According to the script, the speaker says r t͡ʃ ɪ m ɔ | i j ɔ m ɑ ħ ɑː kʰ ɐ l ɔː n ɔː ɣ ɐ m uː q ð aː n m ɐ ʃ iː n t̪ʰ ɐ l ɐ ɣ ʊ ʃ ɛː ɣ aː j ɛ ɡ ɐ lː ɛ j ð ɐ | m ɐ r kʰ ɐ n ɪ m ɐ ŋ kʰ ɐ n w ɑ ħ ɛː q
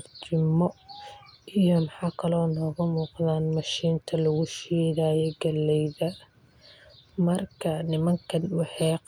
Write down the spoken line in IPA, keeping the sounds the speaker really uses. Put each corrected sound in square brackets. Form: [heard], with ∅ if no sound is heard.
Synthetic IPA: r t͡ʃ ɪ m ɔ | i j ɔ m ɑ ħ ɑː kʰ ɐ l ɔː n ɔː ɣ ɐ m uː q ð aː n m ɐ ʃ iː n t̪ʰ ɐ l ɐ ɣ ʊ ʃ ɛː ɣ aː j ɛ ɡ ɐ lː ɛ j ð ɐ | m ɐ r kʰ ɐ n ɪ m ɐ ŋ kʰ ɐ n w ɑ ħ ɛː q